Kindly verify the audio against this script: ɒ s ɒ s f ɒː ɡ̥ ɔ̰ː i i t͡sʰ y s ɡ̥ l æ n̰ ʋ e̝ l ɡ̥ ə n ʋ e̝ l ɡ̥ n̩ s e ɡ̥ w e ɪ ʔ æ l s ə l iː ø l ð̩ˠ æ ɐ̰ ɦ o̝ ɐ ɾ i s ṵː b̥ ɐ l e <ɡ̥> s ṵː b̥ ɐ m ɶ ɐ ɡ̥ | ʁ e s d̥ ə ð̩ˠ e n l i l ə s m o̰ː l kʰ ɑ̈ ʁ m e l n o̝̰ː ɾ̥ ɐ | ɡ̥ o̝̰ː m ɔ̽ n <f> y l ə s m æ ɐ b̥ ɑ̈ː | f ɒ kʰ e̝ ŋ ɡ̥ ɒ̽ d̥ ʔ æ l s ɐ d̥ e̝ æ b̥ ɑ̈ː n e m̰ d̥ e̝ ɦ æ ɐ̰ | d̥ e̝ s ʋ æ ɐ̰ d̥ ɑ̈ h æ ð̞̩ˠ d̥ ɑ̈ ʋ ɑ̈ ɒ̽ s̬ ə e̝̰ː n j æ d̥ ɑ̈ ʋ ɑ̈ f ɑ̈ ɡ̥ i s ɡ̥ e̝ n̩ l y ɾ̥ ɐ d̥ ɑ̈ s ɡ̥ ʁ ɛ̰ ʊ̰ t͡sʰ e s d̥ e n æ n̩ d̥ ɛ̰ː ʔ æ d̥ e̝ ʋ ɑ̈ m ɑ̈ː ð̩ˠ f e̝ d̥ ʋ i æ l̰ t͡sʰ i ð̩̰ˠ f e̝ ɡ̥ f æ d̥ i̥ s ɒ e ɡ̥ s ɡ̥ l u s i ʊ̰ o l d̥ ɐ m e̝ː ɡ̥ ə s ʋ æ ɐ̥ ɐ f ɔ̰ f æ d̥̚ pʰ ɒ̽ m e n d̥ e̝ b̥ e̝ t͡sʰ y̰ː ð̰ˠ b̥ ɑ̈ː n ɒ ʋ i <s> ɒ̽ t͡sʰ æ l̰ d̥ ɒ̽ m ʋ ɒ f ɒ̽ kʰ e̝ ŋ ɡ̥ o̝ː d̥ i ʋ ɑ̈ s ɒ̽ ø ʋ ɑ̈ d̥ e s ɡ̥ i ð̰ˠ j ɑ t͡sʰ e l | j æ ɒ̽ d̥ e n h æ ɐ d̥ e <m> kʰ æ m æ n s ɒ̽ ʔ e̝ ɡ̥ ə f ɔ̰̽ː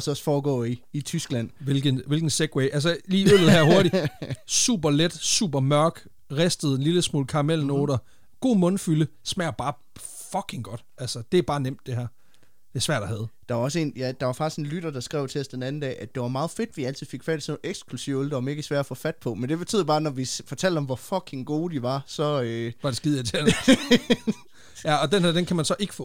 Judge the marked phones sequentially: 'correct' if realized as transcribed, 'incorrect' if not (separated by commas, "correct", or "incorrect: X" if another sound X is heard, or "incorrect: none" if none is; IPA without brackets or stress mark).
incorrect: d̥, correct, incorrect: f, incorrect: n